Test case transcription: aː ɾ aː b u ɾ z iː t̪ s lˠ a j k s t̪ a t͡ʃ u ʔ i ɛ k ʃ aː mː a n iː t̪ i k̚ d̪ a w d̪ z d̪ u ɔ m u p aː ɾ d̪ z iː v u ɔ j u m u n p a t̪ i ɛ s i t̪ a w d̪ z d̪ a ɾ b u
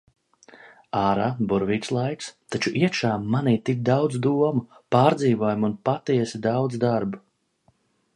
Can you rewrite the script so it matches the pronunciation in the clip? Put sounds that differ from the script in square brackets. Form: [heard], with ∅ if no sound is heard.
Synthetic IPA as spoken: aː ɾ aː b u ɾ [v] iː t̪ s lˠ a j k s t̪ a t͡ʃ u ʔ i ɛ k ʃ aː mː a n iː t̪ i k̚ d̪ a w d̪ z d̪ u ɔ m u p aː ɾ d̪ z iː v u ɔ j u m u n p a t̪ i ɛ s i [d̪] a w d̪ z d̪ a ɾ b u